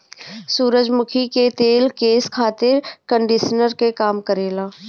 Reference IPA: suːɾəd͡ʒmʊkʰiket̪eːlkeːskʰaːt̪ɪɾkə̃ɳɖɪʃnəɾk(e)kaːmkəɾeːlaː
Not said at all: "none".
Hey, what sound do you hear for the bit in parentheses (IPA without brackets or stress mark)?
e